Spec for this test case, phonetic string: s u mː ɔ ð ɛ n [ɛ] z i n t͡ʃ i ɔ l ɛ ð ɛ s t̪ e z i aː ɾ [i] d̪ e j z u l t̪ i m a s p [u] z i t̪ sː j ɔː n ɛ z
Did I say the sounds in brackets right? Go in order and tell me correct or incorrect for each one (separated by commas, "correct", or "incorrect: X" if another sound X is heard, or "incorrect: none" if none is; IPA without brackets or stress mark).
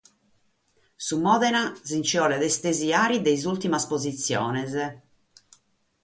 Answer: incorrect: a, correct, incorrect: o